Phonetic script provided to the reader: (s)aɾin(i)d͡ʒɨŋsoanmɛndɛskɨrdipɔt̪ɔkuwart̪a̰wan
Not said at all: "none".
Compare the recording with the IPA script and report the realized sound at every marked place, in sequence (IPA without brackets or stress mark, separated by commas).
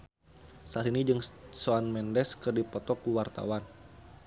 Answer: s, i